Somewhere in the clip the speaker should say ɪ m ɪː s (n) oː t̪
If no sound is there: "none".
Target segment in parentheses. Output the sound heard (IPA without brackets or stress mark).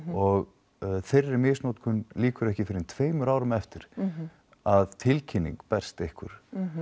n